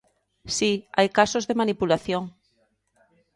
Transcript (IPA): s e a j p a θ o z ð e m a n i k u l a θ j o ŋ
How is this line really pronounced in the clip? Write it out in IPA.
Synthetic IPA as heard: s i a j k a s o z ð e m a n i p u l a θ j o ŋ

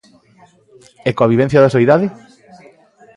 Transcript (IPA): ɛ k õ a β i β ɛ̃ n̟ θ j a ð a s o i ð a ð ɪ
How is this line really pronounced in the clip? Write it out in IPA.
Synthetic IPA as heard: ɛ k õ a β i β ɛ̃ n̟ θ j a ð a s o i ð a ð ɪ

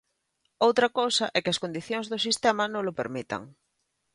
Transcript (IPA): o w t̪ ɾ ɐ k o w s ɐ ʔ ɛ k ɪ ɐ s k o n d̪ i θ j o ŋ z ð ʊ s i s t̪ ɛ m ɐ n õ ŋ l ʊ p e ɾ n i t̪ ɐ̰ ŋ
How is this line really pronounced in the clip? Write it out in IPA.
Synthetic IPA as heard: o w t̪ ɾ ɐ k o w s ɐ ʔ ɛ k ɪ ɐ s k o n d̪ i θ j o ŋ z ð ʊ s i s t̪ ɛ m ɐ n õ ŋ l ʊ p e ɾ m i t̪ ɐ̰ ŋ

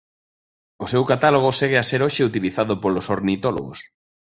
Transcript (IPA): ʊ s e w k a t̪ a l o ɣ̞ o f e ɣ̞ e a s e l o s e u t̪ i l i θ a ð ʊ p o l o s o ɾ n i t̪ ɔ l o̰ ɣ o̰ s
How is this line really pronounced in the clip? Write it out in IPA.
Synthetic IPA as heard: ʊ s e w k a t̪ a l o ɣ̞ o s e ɣ̞ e a s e ɾ o ʃ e u t̪ i l i θ a ð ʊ p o l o s o ɾ n i t̪ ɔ l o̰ ɣ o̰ s

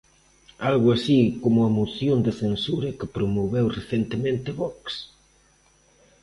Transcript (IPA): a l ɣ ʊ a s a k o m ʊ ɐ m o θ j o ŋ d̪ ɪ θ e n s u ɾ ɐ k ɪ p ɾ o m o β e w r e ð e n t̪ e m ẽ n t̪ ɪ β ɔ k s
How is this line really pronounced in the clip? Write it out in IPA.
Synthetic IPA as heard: a l ɣ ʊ a s i k o m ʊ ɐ m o θ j o n d̪ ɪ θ e n s u ɾ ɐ k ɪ p ɾ o m o β e w r e θ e n t̪ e m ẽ n t̪ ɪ β ɔ k s

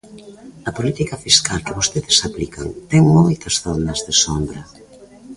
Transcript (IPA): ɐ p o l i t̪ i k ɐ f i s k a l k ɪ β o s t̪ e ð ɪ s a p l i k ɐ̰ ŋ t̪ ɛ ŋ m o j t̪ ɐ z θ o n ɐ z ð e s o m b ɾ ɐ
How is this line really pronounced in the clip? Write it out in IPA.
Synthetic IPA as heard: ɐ p o l i t̪ i k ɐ f i s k a l k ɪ β o s t̪ e ð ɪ s a p l i k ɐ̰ ŋ t̪ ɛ ŋ m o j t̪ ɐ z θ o n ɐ z ð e s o m b ɾ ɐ

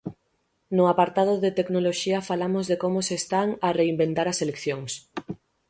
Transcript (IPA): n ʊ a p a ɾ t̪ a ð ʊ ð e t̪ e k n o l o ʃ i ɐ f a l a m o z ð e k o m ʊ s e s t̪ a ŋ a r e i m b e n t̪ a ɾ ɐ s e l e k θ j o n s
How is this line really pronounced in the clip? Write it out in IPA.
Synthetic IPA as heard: n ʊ a p a ɾ t̪ a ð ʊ ð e t̪ e k n o l o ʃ i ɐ f a l a m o z ð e k o m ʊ s e s t̪ a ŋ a r e i m b e n t̪ a ɾ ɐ s e l e k θ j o ŋ s

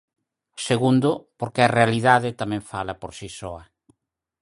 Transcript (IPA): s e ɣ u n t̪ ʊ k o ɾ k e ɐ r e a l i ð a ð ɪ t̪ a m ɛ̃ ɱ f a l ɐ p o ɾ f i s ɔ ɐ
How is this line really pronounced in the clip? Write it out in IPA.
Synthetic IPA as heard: s e ɣ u n d̪ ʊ p o ɾ k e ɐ r e a l i ð a ð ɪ t̪ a m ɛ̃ ɱ f a l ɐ p o ɾ s i s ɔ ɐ

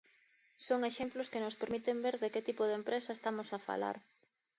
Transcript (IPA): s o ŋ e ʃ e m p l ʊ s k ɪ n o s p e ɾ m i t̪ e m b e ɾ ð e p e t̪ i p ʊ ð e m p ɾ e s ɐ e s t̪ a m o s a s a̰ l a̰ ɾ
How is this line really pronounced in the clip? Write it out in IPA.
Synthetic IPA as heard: s o ŋ e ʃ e m p l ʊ s k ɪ n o s p e ɾ m i t̪ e m b e ɾ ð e k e t̪ i p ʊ ð e m p ɾ e s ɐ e s t̪ a m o s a f a̰ l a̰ ɾ

